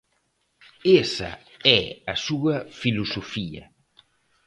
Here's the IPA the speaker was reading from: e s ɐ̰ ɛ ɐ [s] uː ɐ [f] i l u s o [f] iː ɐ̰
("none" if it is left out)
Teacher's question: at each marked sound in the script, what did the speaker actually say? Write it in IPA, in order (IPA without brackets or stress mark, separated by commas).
s, f, f